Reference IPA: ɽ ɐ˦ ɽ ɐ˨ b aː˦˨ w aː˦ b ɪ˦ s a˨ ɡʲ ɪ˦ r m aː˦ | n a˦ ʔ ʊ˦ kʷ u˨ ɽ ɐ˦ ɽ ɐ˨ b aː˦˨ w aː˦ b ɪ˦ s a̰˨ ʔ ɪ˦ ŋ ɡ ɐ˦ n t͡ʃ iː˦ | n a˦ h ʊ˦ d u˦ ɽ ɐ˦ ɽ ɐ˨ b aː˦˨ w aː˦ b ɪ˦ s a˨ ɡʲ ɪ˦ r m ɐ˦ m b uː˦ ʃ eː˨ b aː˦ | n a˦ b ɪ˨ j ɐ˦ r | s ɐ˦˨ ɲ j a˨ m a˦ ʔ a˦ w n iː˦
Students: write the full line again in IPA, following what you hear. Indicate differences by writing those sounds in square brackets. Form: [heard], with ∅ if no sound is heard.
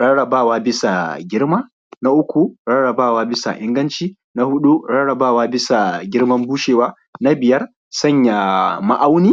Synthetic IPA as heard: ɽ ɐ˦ ɽ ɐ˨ b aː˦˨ w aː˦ b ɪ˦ s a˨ ɡʲ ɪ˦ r m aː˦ | n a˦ ʔ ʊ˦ kʷ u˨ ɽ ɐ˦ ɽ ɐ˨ b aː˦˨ w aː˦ b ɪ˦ s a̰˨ ʔ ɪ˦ ŋ ɡ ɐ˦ n t͡ʃ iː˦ | n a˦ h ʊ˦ [ɗ] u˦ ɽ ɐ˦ ɽ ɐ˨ b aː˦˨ w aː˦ b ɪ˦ s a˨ ɡʲ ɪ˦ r m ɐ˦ m b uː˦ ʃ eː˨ [w] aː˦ | n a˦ b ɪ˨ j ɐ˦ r | s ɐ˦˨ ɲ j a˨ m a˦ ʔ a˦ w n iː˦